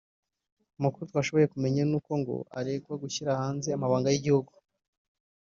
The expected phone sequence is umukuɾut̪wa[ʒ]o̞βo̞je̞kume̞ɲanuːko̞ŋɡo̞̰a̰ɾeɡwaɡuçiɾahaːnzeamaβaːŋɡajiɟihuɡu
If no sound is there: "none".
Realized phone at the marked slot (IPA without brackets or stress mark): ʃ